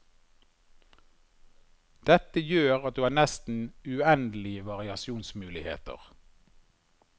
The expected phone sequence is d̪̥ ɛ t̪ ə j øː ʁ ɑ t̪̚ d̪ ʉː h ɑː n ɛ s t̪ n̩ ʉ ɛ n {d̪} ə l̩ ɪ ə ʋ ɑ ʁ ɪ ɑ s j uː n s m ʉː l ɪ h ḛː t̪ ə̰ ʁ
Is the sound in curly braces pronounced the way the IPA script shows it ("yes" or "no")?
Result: yes